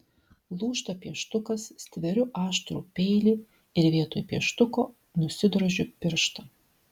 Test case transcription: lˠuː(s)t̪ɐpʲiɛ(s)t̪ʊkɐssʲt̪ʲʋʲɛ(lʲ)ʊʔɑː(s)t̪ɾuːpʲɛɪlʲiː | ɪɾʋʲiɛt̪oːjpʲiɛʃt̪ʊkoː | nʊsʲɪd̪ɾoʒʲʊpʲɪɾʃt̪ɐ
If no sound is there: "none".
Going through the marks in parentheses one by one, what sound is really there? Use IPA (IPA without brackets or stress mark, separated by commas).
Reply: ʃ, ʃ, ɾʲ, ʃ